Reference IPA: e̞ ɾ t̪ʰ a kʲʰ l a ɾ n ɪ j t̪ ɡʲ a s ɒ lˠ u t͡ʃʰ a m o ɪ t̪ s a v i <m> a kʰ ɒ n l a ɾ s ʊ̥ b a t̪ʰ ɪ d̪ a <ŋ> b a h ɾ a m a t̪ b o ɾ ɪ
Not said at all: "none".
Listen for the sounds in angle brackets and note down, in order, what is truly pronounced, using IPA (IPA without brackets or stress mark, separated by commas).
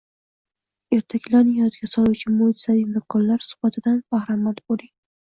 m, n